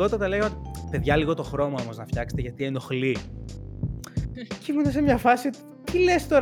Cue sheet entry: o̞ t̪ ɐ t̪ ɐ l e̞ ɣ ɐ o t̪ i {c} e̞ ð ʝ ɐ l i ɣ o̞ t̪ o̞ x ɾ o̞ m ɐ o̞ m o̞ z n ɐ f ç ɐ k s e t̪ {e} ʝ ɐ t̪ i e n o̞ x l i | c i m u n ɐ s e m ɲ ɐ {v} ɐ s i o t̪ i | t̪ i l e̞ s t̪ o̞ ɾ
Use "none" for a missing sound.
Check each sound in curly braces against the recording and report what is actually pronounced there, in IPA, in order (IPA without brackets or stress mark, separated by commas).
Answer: p, e, f